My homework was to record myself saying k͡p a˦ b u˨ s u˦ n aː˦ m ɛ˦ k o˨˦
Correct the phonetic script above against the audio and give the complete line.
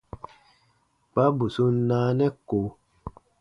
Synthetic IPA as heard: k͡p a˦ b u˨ s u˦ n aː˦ n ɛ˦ k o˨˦